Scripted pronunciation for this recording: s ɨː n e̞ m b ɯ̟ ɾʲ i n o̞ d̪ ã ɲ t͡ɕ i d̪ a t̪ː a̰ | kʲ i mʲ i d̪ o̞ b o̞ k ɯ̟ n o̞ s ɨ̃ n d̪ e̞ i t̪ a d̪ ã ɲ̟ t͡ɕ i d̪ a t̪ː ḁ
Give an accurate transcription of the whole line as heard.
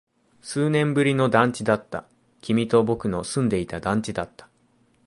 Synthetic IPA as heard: s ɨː n ẽ̞ m b ɯ̟ ɾʲ i n o̞ d̪ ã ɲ t͡ɕ i d̪ a t̪ː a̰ | kʲ i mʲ i t̪ o̞ b o̞ k ɯ̟ n o̞ s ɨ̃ n d̪ e̞ i t̪ a d̪ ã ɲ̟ t͡ɕ i d̪ a t̪ː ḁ